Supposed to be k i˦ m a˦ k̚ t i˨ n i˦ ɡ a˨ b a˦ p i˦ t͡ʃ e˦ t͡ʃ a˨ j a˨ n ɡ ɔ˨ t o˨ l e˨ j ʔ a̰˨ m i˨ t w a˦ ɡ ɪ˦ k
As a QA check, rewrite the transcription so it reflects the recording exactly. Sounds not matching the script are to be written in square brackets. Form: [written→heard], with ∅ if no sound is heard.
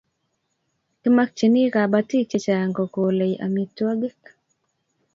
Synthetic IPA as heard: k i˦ m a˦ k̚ [t→t͡ʃ] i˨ n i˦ [ɡ→k] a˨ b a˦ [p→t] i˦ t͡ʃ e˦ t͡ʃ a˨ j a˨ [n→ŋ] ɡ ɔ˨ [t→k] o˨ l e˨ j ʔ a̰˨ m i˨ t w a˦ ɡ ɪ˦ k